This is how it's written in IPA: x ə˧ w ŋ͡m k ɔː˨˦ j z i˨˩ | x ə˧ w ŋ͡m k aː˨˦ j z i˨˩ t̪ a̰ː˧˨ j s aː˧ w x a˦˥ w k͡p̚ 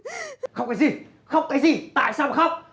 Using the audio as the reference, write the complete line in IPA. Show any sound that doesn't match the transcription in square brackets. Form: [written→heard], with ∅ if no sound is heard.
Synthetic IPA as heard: x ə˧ w ŋ͡m k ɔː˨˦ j z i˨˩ | x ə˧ w ŋ͡m k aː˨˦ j z i˨˩ t̪ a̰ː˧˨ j s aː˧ w x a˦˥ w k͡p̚